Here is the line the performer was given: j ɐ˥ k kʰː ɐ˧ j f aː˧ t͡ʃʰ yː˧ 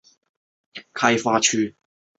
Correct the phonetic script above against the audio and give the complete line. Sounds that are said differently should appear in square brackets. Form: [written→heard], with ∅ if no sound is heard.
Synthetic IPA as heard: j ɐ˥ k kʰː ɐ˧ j f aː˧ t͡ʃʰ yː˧